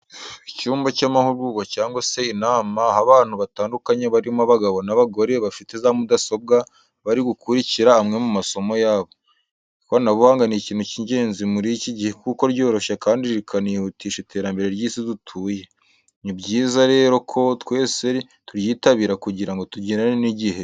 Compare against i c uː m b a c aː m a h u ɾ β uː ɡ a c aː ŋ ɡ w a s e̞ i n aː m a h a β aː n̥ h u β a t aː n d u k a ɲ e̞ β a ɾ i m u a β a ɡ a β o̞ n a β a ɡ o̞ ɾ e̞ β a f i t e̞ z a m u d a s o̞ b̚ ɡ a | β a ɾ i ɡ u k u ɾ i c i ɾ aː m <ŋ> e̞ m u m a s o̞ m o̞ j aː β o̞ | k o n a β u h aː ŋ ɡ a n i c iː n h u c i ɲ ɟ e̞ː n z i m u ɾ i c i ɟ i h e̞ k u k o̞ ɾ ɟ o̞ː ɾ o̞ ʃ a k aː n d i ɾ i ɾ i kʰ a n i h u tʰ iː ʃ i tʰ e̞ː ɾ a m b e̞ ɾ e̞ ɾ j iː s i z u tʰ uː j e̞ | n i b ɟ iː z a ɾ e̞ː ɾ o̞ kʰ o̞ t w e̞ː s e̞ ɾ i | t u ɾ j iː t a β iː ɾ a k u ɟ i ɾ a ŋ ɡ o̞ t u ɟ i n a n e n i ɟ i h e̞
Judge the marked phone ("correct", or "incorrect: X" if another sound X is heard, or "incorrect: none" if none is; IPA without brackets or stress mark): correct